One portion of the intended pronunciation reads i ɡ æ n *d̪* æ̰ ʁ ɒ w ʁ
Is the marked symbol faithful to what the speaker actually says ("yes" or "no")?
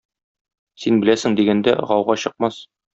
yes